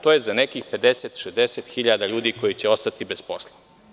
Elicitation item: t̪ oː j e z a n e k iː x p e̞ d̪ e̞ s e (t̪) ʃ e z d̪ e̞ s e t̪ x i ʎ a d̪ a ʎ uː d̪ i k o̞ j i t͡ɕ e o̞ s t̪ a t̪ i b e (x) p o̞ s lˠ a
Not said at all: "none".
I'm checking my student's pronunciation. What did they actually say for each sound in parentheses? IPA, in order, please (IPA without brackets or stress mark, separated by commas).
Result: t̪, s